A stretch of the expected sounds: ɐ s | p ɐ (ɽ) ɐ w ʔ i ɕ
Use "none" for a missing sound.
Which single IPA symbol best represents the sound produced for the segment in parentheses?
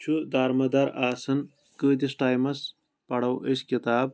ɽ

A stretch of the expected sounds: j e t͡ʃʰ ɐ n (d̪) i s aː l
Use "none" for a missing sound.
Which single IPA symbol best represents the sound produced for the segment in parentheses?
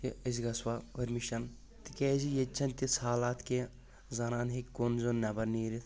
t̪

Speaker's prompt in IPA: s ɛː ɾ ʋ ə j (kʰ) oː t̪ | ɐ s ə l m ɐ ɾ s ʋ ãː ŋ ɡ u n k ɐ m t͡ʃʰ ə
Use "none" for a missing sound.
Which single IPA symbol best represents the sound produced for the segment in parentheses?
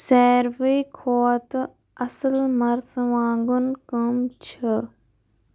kʰ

